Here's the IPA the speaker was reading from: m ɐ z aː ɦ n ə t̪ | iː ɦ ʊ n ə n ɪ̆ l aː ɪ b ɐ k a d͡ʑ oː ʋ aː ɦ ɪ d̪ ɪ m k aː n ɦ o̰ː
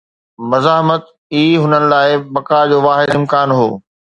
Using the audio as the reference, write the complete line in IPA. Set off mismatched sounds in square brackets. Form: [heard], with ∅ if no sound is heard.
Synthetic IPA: m ɐ z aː ɦ [m] ə t̪ | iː ɦ ʊ n ə n ɪ̆ l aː ɪ b ɐ k a d͡ʑ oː ʋ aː ɦ ɪ d̪ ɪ m k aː n ɦ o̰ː